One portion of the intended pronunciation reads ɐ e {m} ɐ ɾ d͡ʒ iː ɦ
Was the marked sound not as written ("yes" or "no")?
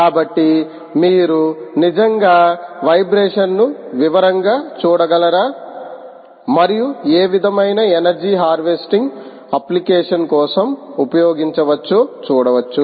yes